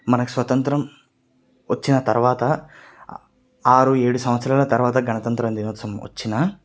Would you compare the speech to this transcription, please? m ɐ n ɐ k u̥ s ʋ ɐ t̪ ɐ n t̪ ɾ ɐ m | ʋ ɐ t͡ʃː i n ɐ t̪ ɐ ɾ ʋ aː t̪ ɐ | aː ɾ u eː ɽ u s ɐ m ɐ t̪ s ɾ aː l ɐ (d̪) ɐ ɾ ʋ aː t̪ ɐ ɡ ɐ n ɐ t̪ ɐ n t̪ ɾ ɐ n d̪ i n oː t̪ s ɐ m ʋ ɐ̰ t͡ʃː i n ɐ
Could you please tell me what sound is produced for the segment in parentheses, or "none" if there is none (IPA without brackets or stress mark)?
t̪